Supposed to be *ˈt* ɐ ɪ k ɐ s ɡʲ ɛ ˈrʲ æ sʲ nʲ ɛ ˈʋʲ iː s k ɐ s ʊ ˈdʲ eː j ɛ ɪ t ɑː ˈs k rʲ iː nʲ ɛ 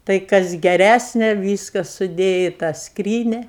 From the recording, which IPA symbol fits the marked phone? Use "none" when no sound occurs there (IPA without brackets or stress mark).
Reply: t